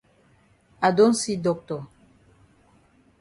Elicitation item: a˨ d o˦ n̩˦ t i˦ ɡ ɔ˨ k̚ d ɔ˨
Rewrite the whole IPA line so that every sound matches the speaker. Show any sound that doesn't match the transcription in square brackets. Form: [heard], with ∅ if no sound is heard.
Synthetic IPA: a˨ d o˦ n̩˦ [s] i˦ [d] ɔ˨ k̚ [t] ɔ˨